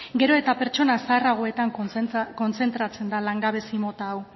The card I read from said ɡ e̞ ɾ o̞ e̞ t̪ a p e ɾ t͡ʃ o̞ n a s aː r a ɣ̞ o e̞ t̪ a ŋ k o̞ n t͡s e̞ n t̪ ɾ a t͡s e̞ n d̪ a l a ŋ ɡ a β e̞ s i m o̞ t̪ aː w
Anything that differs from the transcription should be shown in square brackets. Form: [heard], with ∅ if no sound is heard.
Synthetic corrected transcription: ɡ e̞ ɾ o̞ e̞ t̪ a p e ɾ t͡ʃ o̞ n a s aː r a ɣ̞ o e̞ t̪ a ŋ k o̞ n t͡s e̞ n t̪ ɾ a t͡s e̞ n d̪ a l a ŋ ɡ a β e̞ s i m o̞ t̪ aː w